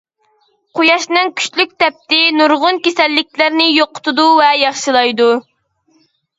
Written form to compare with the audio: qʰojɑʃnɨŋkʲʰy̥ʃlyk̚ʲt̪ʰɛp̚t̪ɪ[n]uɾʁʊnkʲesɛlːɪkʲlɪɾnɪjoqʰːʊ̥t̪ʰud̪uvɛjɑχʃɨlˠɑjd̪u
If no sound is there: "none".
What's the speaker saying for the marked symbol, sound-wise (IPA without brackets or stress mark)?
n